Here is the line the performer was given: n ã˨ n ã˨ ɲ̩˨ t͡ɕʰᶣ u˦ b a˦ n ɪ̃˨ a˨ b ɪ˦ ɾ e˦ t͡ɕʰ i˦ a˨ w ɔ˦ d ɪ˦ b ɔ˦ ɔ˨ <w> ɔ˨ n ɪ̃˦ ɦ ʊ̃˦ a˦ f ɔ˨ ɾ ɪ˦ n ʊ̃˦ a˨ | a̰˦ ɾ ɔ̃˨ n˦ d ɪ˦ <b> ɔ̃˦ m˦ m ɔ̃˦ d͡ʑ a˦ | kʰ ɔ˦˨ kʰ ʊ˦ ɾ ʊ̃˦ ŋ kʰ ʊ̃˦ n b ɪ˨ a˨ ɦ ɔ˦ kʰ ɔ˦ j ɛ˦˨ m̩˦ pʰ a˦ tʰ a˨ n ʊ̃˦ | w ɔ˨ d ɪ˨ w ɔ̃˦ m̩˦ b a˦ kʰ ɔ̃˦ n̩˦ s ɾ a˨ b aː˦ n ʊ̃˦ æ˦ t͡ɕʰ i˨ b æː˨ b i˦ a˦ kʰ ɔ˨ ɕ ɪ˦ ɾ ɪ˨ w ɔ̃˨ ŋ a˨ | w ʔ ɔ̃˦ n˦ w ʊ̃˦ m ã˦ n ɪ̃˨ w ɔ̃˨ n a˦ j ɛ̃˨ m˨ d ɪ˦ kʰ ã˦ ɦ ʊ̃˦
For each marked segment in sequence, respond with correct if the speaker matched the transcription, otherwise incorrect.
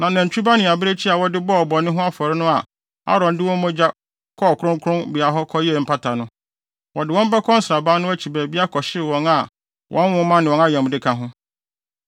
incorrect: b, incorrect: w

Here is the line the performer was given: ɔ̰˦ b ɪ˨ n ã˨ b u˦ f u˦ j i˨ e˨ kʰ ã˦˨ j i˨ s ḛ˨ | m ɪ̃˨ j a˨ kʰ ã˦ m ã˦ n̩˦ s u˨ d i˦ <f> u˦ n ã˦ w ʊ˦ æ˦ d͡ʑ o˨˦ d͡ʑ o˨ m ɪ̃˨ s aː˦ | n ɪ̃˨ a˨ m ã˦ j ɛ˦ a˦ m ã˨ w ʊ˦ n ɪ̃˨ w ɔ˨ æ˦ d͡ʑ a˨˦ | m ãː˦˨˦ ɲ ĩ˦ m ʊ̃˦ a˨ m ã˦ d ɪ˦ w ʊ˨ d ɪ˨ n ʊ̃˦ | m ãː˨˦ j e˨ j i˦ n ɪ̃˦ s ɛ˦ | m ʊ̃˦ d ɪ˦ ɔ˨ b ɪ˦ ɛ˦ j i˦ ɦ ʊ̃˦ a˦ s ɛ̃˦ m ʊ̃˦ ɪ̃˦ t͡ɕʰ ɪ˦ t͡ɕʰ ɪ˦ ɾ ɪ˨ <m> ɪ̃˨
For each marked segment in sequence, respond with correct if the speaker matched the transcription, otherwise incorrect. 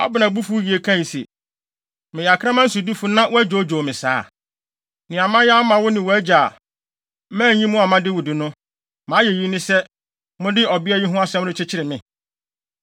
correct, correct

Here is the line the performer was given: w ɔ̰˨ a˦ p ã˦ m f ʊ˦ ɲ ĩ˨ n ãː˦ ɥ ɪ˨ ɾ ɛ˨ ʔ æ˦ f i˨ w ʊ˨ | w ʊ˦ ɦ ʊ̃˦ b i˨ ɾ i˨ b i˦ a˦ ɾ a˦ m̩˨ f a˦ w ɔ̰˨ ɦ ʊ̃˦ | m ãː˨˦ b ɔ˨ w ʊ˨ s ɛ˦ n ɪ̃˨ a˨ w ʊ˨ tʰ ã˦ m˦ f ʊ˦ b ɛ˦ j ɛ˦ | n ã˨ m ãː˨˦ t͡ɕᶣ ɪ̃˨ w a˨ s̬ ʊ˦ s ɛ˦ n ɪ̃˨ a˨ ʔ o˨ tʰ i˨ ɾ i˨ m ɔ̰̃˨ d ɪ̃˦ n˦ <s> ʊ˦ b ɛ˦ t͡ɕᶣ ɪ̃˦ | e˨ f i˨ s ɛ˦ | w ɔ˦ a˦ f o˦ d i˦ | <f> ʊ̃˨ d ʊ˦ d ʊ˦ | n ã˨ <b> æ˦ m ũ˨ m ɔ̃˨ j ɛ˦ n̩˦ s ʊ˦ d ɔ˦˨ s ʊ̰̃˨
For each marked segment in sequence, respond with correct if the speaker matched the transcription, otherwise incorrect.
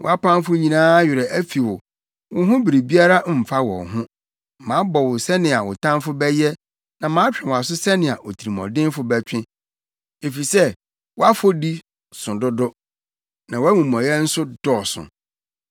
incorrect: f, incorrect: s, incorrect: w

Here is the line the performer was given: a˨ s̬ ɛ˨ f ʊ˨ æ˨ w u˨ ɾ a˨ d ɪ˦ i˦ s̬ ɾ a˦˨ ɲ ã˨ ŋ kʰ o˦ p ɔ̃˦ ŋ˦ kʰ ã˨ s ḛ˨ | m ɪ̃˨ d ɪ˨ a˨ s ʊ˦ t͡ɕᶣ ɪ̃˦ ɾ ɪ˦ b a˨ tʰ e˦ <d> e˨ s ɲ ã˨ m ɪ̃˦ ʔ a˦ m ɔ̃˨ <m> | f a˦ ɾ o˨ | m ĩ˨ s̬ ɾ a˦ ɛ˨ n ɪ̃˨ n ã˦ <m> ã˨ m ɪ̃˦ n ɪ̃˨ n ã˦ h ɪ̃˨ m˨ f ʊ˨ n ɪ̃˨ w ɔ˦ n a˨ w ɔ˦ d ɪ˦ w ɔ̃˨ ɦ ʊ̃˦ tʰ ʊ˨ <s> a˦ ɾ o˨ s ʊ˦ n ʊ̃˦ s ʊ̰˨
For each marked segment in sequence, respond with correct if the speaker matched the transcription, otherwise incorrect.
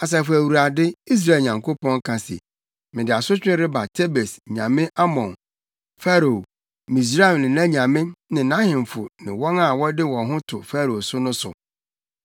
incorrect: b, incorrect: n, incorrect: ɲ, incorrect: f

